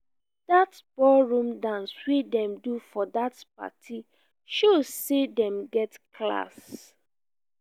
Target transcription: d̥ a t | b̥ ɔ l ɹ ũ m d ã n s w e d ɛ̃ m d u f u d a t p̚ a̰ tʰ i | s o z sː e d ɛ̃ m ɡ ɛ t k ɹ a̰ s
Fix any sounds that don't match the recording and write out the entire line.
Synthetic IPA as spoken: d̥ a t | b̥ ɔ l ɹ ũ m d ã n s w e d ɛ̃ m d u f ɔ d a t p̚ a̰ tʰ i | ʃ o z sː e d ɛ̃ m ɡ ɛ t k l a̰ s